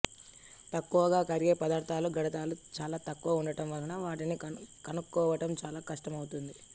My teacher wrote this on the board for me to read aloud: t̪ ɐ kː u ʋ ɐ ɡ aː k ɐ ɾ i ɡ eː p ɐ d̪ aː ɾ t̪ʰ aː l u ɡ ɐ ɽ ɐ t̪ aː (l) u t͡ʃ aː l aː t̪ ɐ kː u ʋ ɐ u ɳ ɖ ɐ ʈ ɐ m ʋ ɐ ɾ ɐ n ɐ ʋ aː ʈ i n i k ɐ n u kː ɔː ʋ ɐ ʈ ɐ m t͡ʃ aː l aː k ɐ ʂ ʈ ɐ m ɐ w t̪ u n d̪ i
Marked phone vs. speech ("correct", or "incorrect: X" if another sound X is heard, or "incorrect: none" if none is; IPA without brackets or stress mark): correct